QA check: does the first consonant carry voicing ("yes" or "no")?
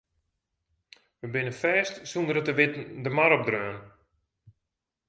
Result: yes